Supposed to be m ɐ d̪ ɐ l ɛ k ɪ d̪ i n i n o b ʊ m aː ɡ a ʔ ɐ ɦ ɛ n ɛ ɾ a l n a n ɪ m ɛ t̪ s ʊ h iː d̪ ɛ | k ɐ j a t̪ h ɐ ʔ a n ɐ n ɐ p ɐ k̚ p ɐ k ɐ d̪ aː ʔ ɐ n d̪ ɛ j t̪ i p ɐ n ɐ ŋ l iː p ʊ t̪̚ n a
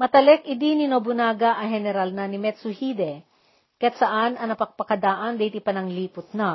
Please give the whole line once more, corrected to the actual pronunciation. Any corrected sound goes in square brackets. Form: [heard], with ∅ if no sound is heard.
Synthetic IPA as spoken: m ɐ [t̪] ɐ l ɛ k ɪ d̪ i n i n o b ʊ [n] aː ɡ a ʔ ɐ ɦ ɛ n ɛ ɾ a l n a n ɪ m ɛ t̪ s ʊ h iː d̪ ɛ | k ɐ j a t̪ [s] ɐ ʔ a n ɐ n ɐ p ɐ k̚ p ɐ k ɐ d̪ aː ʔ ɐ n d̪ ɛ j t̪ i p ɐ n ɐ ŋ l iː p ʊ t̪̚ n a